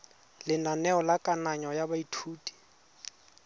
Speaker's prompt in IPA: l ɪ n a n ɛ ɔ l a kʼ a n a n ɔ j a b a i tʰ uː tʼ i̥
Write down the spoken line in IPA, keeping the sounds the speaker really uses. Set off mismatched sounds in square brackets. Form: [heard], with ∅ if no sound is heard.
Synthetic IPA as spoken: l ɪ n a n ɛ ɔ l a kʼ a n a [ɲ] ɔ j a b a i tʰ uː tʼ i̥